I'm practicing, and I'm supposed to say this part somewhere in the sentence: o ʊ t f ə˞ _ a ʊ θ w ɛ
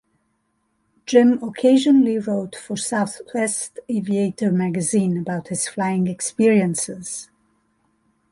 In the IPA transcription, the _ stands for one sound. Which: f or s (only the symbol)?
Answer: s